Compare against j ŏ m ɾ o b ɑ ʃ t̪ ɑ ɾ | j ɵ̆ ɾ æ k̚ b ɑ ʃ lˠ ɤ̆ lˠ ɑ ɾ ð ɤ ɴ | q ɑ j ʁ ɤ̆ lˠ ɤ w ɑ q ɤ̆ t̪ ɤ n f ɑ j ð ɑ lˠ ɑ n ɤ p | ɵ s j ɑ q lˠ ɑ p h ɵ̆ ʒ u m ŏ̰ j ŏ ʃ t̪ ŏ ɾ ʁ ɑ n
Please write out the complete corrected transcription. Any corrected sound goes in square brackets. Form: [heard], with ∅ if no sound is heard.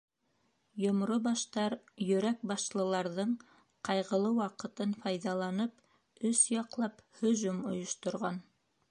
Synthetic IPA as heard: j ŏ m ɾ o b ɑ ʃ t̪ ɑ ɾ | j ɵ̆ ɾ æ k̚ b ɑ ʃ lˠ ɤ̆ lˠ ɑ ɾ ð ɤ ɴ | q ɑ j ʁ ɤ̆ lˠ ɤ w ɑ q ɤ̆ t̪ ɤ n f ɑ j ð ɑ lˠ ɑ n ɤ p | ɵ s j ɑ q lˠ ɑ p h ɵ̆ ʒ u m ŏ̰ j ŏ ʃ t̪ ŏ ɾ ʁ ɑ n